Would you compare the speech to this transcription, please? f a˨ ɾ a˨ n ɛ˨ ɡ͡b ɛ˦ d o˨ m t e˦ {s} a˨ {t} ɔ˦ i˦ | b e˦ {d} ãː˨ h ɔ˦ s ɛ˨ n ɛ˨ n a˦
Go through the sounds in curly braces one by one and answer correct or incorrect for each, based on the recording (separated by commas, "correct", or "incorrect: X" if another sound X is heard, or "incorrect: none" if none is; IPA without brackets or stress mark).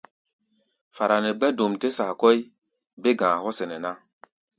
correct, incorrect: k, incorrect: ɡ